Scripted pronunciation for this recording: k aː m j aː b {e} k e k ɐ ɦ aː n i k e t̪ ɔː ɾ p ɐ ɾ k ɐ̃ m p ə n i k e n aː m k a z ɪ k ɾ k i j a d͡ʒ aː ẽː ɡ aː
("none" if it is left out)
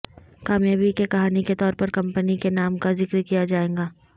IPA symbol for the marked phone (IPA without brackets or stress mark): i